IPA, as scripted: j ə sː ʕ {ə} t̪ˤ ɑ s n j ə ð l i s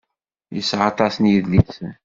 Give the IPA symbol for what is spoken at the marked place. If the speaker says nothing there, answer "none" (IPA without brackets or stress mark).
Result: ɑ